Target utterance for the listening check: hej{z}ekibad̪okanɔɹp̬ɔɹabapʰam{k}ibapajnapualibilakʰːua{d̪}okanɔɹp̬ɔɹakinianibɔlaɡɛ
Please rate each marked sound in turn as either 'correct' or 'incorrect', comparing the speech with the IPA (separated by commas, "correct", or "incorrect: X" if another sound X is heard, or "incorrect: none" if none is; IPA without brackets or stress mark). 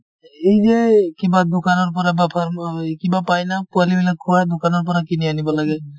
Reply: correct, correct, correct